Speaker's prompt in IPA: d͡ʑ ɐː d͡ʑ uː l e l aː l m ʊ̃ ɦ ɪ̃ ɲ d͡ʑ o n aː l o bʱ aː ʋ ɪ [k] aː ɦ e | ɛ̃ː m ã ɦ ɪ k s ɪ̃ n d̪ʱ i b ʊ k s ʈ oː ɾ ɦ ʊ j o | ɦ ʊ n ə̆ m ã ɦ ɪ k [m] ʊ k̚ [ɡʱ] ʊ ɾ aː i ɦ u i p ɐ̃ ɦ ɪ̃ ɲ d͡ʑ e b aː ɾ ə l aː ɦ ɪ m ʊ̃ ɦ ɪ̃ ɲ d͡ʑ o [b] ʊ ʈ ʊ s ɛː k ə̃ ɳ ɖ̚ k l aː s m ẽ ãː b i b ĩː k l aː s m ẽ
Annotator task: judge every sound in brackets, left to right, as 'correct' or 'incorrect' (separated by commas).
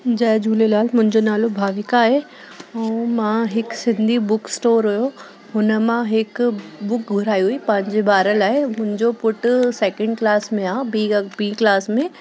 correct, incorrect, correct, incorrect